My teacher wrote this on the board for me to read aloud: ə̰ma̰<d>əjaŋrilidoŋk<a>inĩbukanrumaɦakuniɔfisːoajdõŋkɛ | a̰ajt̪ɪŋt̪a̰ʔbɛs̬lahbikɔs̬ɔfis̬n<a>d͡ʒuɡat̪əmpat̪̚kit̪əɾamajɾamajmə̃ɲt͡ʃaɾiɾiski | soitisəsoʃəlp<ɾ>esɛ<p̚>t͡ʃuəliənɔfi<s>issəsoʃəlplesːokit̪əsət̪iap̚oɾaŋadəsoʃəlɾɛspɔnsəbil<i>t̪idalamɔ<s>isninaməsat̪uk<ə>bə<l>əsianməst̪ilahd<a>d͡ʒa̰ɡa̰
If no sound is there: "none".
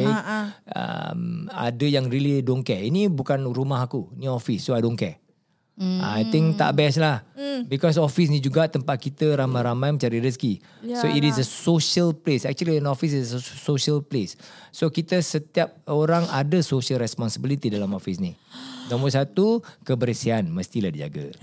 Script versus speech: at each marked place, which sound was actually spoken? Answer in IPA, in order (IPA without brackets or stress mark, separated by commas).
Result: d, ɛ, i, l, k̚, s, i, f, ə, ɾ, i